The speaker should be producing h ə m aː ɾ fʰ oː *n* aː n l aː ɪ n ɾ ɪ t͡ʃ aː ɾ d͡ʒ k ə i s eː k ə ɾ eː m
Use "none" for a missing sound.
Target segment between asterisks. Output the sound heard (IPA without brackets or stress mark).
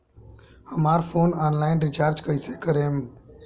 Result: n